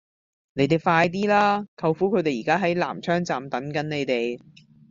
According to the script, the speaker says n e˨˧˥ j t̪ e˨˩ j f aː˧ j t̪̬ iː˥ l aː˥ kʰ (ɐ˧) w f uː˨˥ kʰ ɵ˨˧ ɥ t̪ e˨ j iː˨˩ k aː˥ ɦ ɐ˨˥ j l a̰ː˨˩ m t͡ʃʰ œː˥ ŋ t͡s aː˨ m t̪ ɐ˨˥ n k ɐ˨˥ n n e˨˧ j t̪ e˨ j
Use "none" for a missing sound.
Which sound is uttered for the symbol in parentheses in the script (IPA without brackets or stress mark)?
ɐ˧